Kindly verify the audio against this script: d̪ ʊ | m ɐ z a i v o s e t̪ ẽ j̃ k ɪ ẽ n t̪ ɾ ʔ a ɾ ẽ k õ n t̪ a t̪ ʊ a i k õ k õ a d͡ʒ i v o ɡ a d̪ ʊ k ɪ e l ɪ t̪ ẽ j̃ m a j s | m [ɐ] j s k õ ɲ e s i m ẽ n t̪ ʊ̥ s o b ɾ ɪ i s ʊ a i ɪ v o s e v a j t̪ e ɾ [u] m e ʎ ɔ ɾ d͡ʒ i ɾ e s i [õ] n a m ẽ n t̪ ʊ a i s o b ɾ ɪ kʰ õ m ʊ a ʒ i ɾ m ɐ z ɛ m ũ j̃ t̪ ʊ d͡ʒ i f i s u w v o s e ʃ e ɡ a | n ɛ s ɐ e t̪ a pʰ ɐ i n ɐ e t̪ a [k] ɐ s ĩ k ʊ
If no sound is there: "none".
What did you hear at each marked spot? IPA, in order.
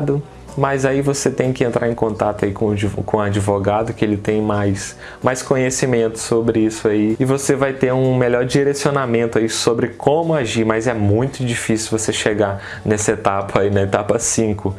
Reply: a, ũ, o, p

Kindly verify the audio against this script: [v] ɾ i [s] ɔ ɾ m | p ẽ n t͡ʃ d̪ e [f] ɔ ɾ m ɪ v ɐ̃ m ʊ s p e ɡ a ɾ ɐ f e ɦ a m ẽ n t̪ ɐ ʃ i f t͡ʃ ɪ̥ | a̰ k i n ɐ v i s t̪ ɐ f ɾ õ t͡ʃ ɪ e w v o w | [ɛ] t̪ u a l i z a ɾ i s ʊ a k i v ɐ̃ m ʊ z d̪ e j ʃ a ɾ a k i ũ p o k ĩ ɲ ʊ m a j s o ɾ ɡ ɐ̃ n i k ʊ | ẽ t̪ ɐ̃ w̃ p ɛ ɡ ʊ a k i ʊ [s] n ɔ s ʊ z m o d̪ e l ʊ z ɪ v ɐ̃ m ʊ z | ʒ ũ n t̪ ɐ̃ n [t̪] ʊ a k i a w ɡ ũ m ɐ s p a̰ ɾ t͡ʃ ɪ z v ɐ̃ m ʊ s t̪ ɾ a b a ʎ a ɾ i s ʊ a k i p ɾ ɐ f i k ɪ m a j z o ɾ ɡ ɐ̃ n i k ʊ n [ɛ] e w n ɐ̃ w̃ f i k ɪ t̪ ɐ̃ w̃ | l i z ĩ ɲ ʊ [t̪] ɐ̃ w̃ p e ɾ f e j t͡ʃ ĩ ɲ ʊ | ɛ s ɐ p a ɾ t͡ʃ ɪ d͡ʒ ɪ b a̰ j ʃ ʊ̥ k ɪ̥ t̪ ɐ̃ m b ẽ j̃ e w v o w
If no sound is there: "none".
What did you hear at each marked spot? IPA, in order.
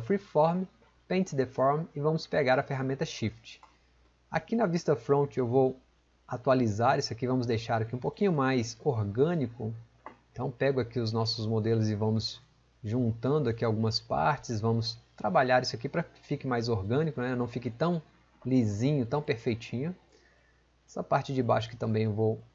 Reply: f, f, f, a, z, d̪, ɛ, t̪

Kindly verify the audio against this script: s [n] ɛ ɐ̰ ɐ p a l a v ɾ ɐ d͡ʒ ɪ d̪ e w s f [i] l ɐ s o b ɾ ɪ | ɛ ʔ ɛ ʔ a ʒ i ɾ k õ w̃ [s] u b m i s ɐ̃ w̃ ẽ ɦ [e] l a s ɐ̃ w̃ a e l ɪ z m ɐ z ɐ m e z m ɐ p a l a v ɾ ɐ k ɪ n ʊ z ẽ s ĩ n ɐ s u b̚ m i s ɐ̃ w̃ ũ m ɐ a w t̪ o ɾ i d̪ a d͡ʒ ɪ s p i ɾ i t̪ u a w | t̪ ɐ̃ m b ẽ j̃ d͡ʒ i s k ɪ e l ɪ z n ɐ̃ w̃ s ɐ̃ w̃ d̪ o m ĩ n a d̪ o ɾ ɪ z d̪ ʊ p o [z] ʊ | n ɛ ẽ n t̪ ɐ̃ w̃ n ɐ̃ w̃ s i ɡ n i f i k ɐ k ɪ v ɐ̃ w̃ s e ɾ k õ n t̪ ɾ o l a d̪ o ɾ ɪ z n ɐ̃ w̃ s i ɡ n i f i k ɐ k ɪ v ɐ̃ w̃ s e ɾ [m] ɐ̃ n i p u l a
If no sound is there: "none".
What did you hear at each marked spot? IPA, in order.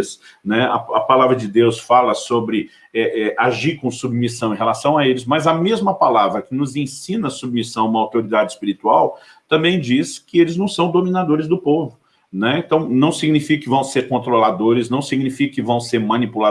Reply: n, a, s, e, v, m

